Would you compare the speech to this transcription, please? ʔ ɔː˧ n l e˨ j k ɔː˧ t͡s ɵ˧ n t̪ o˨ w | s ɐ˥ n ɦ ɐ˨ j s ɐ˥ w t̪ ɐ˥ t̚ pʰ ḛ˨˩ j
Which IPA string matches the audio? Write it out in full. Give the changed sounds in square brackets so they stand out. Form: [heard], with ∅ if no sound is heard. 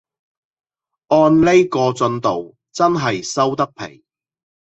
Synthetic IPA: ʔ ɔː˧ n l [e˥] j k ɔː˧ t͡s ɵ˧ n t̪ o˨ w | [t͡s] ɐ˥ n ɦ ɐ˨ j s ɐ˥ w t̪ ɐ˥ [k̚] pʰ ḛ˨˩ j